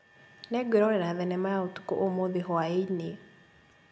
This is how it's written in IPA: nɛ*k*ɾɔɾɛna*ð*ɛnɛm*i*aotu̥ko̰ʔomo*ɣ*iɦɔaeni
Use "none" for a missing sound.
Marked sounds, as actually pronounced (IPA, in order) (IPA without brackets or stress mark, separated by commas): ɡ, ð, a, ð